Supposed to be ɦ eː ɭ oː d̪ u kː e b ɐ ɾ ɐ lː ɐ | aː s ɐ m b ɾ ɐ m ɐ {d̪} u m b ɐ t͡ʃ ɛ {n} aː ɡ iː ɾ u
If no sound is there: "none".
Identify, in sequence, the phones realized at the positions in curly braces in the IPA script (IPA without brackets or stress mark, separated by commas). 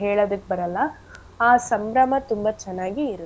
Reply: t̪, nː